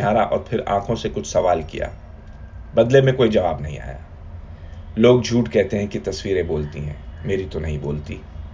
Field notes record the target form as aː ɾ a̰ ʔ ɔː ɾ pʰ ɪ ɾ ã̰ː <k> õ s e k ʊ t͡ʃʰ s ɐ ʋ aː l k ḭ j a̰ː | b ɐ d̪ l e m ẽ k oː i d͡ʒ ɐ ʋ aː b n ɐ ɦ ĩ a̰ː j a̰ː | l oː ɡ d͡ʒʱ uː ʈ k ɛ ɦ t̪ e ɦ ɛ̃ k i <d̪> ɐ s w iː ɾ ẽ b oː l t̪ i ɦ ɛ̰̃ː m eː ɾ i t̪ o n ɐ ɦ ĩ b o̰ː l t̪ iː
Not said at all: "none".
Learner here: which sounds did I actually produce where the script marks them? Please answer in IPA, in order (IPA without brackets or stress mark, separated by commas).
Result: kʰ, t̪